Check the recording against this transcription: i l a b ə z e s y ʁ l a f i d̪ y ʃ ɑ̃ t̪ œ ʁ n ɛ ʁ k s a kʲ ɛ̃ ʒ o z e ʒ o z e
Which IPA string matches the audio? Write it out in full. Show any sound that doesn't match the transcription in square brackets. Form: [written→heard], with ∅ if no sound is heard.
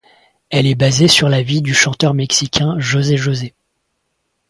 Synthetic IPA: [i→ɛ] l [a→ɛ] b [ə→a] z e s y ʁ l a [f→v] i d̪ y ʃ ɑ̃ t̪ œ ʁ [n→m] ɛ [ʁ→∅] k s [a→i] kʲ ɛ̃ ʒ o z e ʒ o z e